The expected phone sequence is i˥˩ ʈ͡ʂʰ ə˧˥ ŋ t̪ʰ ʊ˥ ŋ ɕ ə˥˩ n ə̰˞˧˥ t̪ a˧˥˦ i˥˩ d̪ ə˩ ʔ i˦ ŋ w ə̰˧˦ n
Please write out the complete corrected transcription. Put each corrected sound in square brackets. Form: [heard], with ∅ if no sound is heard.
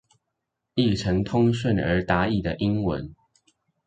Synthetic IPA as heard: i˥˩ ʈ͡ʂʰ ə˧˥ ŋ t̪ʰ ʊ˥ ŋ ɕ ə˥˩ n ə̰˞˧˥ t̪ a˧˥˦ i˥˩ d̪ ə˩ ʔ i˦ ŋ w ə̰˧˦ n